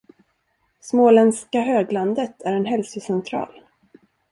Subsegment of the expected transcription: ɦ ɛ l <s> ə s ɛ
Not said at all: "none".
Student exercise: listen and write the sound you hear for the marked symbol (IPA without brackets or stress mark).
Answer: s